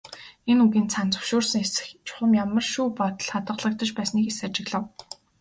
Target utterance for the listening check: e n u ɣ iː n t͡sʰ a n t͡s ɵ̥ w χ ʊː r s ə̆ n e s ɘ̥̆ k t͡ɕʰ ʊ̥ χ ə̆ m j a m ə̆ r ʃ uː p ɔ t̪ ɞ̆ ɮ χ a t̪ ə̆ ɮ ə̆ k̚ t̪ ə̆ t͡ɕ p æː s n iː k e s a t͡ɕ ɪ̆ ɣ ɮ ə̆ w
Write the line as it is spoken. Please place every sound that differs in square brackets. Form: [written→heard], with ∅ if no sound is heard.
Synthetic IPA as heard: e n u ɣ iː n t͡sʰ a n t͡s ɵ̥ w [χ→ʃ] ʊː r s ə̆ [n→ŋ] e s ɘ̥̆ [k→x] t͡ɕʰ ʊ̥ χ ə̆ m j a m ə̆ r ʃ uː p ɔ t̪ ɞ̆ ɮ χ a t̪ ə̆ ɮ ə̆ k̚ t̪ ə̆ t͡ɕ p æː s n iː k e s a t͡ɕ ɪ̆ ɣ ɮ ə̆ w